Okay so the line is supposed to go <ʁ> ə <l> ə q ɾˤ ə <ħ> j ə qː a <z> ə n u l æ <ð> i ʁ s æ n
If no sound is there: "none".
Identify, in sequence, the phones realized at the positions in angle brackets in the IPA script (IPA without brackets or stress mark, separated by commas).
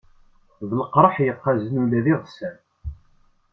ð, l, ħ, z, ð